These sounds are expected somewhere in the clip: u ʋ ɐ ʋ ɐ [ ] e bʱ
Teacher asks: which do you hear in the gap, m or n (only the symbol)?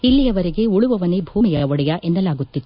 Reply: n